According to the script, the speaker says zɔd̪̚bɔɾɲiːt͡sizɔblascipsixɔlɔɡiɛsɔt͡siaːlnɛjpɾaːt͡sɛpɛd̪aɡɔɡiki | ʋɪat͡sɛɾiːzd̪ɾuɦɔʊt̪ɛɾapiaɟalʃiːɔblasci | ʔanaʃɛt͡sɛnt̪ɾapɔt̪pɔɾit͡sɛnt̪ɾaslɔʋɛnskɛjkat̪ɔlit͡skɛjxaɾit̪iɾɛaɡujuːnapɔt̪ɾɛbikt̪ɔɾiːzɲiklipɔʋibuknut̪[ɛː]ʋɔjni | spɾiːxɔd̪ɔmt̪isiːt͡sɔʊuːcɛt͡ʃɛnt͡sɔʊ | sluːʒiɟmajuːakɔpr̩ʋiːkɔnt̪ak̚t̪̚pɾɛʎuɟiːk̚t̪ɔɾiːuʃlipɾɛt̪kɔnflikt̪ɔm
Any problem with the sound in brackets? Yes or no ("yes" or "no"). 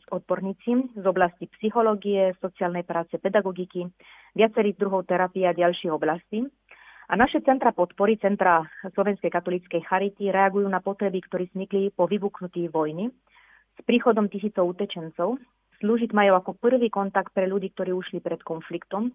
yes